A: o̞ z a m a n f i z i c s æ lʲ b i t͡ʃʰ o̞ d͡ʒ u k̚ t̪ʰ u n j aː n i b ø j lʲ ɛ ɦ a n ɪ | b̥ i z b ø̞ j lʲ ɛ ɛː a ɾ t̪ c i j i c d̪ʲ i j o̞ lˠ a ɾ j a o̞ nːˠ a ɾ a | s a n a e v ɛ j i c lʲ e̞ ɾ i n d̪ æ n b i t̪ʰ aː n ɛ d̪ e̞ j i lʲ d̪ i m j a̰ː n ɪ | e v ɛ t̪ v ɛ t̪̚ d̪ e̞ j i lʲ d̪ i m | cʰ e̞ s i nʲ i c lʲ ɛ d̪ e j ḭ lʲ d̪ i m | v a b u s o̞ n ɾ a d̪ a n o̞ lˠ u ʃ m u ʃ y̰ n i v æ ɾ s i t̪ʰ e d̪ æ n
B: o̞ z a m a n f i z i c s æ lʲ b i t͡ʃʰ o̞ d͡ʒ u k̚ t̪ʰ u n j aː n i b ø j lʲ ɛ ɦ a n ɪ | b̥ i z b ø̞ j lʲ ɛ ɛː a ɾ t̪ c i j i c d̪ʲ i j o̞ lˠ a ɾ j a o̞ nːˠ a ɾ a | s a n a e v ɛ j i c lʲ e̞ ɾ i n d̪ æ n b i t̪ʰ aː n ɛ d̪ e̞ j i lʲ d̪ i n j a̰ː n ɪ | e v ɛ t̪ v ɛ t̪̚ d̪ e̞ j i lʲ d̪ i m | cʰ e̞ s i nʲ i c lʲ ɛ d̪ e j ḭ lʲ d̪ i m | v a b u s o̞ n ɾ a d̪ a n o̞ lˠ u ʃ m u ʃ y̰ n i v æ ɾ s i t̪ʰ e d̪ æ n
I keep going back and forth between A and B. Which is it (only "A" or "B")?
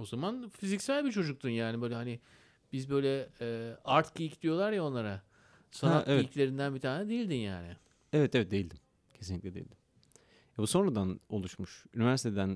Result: B